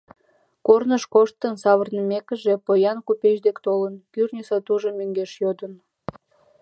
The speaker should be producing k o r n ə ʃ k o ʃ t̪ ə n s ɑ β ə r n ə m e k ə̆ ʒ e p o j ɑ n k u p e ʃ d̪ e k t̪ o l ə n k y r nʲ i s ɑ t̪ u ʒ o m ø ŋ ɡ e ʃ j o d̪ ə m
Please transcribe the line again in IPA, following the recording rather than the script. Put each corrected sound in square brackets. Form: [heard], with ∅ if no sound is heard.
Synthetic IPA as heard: k o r n ə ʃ k o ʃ t̪ ə n s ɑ β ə r n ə m e k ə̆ ʒ e p o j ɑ n k u p e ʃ d̪ e k t̪ o l ə n k y r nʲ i s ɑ t̪ u ʒ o m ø ŋ ɡ e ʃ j o d̪ ə [n]